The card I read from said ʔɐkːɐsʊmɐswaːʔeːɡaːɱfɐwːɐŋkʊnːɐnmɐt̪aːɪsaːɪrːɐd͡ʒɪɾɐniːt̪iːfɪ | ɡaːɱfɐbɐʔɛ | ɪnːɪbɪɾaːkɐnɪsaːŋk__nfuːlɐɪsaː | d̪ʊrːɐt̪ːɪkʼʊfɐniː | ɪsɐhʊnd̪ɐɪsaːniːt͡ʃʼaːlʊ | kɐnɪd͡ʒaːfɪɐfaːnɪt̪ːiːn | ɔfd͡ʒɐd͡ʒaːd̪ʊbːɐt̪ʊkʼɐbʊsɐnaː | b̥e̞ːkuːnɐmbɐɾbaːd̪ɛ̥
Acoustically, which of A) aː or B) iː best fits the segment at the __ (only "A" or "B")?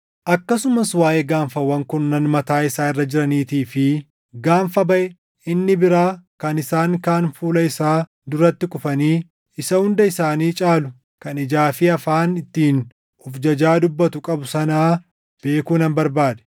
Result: A